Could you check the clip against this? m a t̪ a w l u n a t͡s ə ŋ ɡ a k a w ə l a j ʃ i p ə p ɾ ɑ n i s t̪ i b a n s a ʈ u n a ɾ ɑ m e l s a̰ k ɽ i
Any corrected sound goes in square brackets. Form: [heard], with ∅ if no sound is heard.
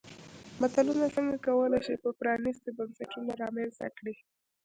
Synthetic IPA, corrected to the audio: m a t̪ a [∅] l u n a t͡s ə ŋ ɡ a k a w ə l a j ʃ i p ə p ɾ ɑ n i s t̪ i b a n s a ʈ u n a ɾ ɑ m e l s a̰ k ɽ i